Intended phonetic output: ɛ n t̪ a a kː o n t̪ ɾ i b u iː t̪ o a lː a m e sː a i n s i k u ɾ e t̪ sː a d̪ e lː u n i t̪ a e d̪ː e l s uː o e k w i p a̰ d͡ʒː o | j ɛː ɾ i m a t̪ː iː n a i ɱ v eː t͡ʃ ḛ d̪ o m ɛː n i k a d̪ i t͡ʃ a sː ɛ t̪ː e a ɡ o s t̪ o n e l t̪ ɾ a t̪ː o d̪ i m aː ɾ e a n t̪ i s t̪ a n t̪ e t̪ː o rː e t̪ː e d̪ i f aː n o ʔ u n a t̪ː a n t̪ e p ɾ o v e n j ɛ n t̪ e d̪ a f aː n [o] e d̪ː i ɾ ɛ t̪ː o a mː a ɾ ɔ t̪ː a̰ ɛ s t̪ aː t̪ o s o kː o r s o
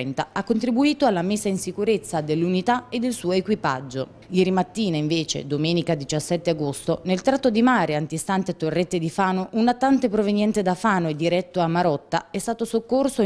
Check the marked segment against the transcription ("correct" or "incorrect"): correct